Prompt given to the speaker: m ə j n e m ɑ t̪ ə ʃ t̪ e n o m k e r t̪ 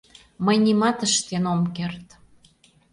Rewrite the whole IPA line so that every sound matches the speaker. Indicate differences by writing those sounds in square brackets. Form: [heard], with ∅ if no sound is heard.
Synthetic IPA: m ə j n [i] m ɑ t̪ ə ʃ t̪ e n o m k e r t̪